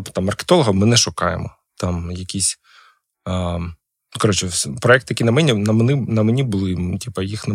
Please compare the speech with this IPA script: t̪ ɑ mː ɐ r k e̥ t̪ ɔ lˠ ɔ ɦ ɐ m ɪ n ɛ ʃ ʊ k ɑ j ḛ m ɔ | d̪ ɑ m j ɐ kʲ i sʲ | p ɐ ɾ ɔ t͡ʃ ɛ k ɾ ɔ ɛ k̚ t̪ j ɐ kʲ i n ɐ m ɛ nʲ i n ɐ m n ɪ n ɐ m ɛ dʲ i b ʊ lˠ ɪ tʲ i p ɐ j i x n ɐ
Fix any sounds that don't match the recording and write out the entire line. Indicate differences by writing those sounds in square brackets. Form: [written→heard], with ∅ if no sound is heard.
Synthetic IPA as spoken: t̪ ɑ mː ɐ r k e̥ t̪ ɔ lˠ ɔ ɦ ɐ m ɪ n ɛ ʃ ʊ k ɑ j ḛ m ɔ | [d̪→t̪] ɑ m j ɐ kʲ i sʲ | [p→k] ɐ ɾ ɔ t͡ʃ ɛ [k→p] ɾ ɔ ɛ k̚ t̪ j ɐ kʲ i n ɐ m ɛ nʲ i n ɐ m n ɪ n ɐ m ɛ [dʲ→nʲ] i b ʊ lˠ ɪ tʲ i p ɐ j i x n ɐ